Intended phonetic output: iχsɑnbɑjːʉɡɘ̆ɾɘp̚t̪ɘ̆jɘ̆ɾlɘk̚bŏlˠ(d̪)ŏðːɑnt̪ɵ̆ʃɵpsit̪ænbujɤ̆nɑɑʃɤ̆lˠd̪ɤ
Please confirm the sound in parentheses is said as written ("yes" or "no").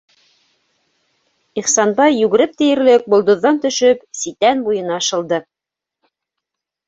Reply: yes